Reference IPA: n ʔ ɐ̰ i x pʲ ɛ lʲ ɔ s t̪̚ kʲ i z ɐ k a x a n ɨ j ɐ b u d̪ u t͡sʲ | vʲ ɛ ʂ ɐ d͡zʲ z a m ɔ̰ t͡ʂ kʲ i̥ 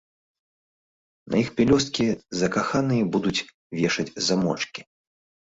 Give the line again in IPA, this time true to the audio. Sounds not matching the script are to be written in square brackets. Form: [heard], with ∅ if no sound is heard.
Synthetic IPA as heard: n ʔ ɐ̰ i x pʲ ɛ lʲ ɔ s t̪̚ kʲ i z ɐ k a x a n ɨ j ɐ b u d̪ u t͡sʲ | vʲ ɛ ʂ ɐ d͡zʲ z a m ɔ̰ t͡ʂ kʲ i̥

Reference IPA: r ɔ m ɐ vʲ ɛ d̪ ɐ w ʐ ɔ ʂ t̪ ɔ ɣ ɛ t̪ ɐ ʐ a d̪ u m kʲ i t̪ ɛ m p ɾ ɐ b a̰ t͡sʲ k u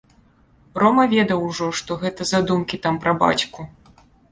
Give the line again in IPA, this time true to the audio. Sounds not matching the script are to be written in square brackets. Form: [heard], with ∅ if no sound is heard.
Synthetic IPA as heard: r ɔ m ɐ vʲ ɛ d̪ ɐ w ʐ ɔ ʂ t̪ ɔ ɣ ɛ t̪ ɐ [z] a d̪ u m kʲ i t̪ [a] m p ɾ ɐ b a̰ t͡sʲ k u

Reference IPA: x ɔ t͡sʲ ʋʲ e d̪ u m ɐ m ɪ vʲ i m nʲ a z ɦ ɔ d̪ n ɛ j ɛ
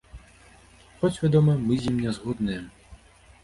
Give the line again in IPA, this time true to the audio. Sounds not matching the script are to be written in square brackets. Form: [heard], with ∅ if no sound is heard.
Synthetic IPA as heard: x ɔ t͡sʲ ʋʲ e d̪ [ɔ] m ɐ m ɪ [zʲ] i m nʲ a z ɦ ɔ d̪ n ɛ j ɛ

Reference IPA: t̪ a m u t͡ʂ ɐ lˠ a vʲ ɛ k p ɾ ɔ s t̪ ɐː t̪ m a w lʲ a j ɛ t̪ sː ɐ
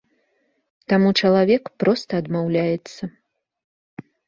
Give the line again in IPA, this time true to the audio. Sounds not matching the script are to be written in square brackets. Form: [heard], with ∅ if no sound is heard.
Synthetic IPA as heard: t̪ a m u t͡ʂ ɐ lˠ a vʲ ɛ k p ɾ ɔ s t̪ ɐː [d̪] m a w lʲ a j ɛ t̪ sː ɐ

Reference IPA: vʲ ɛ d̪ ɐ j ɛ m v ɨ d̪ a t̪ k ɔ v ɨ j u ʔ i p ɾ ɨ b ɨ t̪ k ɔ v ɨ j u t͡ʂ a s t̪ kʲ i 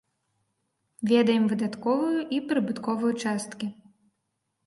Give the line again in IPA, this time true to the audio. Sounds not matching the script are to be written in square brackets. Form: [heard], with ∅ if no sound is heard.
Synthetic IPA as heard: vʲ ɛ d̪ ɐ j ɛ m v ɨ d̪ a t̪ k ɔ v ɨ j u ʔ i p ɾ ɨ b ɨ t̪ k ɔ v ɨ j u t͡ʂ a s t̪ kʲ i

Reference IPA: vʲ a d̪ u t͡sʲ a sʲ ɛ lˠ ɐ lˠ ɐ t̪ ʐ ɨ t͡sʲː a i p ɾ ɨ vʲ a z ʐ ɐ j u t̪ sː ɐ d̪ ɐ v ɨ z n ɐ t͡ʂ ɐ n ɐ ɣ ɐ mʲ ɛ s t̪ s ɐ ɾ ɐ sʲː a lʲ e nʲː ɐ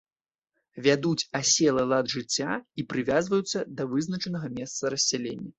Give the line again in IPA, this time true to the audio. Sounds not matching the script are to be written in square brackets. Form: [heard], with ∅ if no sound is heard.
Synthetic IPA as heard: vʲ a d̪ u t͡sʲ a sʲ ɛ lˠ ɐ lˠ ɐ [d̪] ʐ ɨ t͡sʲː a i p ɾ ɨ vʲ a z [v] ɐ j u t̪ sː ɐ d̪ ɐ v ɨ z n ɐ t͡ʂ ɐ n ɐ ɣ ɐ mʲ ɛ s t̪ s ɐ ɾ ɐ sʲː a lʲ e nʲː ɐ

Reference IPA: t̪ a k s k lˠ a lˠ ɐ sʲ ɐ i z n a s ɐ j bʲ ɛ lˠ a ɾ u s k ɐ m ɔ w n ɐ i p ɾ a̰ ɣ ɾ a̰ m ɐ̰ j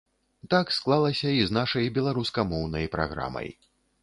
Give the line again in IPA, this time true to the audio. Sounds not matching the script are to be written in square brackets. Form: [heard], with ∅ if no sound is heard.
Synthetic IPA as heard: t̪ a k s k lˠ a lˠ ɐ sʲ ɐ i z n a [ʂ] ɐ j bʲ ɛ lˠ a ɾ u s k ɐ m ɔ w n ɐ [j] p ɾ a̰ ɣ ɾ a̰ m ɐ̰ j

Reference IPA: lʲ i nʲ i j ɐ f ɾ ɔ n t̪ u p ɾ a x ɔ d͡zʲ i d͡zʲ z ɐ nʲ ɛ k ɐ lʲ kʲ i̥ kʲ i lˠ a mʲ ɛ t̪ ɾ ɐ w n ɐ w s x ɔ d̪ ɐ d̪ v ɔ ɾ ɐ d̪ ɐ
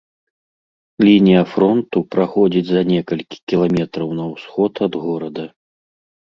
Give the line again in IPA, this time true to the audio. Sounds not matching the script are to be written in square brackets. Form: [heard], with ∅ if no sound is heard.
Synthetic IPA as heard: lʲ i nʲ i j ɐ f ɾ ɔ n t̪ u p ɾ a x ɔ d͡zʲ i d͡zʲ z ɐ nʲ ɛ k ɐ lʲ kʲ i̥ kʲ i lˠ a mʲ ɛ t̪ ɾ ɐ w n ɐ w s x ɔ [t̪] ɐ d̪ [ɣ] ɔ ɾ ɐ d̪ ɐ

